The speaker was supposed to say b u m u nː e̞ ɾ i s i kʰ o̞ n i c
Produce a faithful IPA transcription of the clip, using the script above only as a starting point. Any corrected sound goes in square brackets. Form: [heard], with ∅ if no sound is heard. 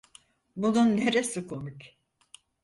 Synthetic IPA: b u [n] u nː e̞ ɾ [e] s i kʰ o̞ [m] i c